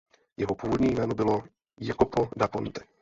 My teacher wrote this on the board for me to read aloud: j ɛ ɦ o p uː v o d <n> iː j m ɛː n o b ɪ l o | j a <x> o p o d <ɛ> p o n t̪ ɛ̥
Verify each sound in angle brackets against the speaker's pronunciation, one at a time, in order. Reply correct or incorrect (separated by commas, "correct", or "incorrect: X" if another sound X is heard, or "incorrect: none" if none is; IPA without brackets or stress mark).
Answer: incorrect: ɲ, incorrect: k, incorrect: a